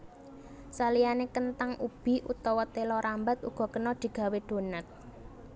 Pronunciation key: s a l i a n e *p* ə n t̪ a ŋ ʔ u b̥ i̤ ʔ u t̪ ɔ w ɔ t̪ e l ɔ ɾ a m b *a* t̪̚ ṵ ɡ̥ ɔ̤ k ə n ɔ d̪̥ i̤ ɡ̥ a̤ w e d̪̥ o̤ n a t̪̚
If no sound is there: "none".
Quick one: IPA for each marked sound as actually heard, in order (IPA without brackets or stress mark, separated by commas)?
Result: k, a